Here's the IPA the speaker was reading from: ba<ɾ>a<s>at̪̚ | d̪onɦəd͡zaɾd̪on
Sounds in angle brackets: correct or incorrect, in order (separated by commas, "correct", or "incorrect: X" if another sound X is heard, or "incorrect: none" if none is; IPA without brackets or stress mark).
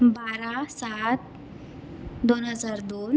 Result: correct, correct